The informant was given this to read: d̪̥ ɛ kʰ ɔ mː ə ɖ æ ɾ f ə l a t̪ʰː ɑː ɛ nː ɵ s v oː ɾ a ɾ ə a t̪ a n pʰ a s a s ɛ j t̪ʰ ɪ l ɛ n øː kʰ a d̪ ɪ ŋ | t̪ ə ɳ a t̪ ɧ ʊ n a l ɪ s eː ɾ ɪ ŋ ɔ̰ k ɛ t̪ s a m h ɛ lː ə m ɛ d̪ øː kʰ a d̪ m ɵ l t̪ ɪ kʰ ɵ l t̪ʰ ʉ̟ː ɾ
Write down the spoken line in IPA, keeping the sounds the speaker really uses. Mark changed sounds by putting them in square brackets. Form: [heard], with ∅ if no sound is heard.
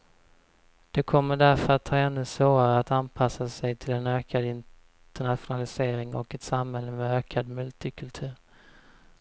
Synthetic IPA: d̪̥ ɛ kʰ ɔ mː ə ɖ æ ɾ f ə [ɾ] a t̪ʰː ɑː ɛ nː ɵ s v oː ɾ a ɾ ə a t̪ a n pʰ a s a s ɛ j t̪ʰ ɪ l ɛ n øː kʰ a d̪ ɪ [n] | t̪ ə ɳ a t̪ ɧ ʊ n a l ɪ s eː ɾ ɪ ŋ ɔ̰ k ɛ t̪ s a m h ɛ lː ə m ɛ [∅] øː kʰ a d̪ m ɵ l t̪ ɪ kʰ ɵ l t̪ʰ ʉ̟ː ɾ